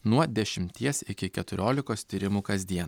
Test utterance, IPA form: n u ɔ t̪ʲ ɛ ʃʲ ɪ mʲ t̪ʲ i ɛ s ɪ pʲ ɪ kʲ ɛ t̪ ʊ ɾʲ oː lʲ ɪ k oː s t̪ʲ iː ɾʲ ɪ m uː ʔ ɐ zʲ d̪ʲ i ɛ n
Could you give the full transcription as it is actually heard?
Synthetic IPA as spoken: n u ɔ d̪ʲ ɛ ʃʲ ɪ mʲ t̪ʲ i ɛ s ɪ kʲ ɪ kʲ ɛ t̪ ʊ ɾʲ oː lʲ ɪ k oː s t̪ʲ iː ɾʲ ɪ m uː k ɐ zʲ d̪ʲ i ɛ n